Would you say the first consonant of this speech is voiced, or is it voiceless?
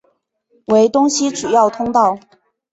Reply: voiced